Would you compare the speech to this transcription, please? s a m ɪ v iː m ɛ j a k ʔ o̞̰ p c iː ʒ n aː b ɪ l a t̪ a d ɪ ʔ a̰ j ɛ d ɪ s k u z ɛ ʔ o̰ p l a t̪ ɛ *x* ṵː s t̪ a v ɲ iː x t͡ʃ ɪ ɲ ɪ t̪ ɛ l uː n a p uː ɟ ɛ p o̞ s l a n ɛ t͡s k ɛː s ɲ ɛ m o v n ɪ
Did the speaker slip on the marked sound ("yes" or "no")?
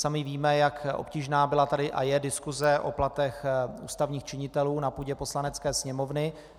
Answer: no